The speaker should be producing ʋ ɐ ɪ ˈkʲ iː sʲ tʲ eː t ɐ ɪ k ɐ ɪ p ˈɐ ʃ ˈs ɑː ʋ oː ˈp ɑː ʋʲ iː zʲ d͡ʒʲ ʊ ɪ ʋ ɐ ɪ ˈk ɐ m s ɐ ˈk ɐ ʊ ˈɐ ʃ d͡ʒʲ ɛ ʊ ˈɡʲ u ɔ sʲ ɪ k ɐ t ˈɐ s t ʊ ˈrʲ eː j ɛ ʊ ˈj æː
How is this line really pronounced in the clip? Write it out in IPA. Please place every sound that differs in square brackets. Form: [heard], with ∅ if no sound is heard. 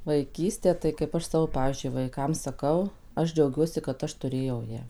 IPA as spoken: ʋ ɐ ɪ ˈkʲ iː sʲ tʲ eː t ɐ ɪ k ɐ ɪ p ˈɐ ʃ ˈs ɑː ʋ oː ˈp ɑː ʋʲ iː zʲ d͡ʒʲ ʊ ɪ ʋ ɐ ɪ ˈk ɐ m s ɐ ˈk ɐ ʊ ˈɐ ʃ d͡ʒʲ ɛ ʊ ˈɡʲ u ɔ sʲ ɪ k ɐ t ˈɐ [ʃ] t ʊ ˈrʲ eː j ɛ ʊ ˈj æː